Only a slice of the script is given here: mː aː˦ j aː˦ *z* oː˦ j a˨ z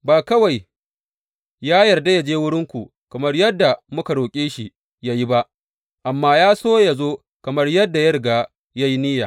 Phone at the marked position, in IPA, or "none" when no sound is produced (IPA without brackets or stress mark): s